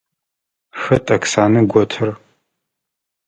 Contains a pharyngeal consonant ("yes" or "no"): no